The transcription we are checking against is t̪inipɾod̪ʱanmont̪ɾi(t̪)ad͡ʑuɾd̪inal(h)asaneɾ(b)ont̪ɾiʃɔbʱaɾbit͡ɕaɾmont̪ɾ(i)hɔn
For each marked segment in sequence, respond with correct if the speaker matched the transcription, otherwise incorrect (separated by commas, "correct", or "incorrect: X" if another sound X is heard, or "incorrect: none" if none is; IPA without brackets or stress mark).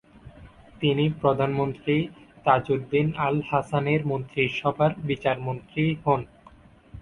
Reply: correct, correct, incorrect: m, correct